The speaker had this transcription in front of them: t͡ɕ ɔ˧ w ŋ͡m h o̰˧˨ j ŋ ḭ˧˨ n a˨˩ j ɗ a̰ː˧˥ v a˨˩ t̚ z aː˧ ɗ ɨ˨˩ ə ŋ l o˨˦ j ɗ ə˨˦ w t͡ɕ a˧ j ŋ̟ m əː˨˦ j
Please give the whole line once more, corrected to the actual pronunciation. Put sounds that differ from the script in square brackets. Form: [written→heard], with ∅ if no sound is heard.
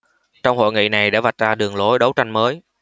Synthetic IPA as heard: t͡ɕ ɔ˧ w ŋ͡m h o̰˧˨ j ŋ ḭ˧˨ n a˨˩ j ɗ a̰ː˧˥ v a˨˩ t̚ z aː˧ ɗ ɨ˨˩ ə ŋ l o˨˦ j ɗ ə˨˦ w t͡ɕ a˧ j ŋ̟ m əː˨˦ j